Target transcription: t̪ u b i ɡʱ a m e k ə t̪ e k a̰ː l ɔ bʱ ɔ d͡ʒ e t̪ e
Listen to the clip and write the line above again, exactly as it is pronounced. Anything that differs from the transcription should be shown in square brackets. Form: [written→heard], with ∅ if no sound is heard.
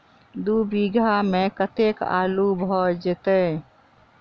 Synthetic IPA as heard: [t̪→d̪] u b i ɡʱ a m e k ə t̪ e k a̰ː l [ɔ→u] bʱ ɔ d͡ʒ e t̪ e